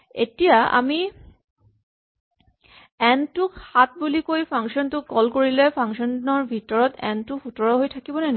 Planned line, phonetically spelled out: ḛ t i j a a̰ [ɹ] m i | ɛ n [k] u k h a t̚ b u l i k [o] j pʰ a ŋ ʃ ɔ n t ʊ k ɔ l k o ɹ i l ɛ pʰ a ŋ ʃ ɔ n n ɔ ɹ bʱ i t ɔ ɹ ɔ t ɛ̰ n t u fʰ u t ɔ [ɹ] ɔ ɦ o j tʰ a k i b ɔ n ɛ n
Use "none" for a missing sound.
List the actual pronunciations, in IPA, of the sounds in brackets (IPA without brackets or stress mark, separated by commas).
none, t, o, ɹ